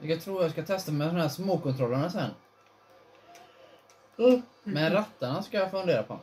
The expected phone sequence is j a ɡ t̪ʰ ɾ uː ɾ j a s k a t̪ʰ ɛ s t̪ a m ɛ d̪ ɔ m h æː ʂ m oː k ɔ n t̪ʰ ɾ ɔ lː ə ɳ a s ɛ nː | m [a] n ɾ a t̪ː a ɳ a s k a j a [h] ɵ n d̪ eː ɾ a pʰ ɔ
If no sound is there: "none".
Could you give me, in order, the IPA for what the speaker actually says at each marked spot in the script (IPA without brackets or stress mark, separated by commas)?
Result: ɛ, f